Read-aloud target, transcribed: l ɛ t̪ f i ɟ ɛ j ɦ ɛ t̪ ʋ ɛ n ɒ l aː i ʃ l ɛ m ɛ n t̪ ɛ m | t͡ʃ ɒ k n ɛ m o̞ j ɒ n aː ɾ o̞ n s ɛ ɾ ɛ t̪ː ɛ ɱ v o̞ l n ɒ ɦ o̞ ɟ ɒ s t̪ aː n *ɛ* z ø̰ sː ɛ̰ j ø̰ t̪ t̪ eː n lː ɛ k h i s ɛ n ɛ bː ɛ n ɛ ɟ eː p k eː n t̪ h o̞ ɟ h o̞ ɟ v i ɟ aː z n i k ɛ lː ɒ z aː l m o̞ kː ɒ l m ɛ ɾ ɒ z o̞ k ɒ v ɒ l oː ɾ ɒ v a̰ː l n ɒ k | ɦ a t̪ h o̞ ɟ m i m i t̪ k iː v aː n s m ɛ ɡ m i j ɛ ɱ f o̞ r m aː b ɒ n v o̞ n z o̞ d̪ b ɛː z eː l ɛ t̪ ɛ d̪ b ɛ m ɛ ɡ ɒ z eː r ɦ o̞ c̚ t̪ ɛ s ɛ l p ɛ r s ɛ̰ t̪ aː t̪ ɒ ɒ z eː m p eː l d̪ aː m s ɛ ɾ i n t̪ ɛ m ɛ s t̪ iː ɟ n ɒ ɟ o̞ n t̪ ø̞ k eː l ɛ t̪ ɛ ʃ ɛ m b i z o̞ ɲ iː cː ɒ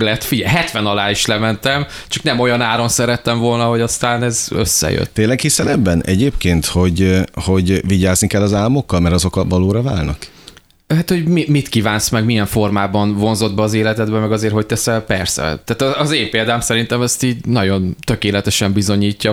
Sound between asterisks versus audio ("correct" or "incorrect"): correct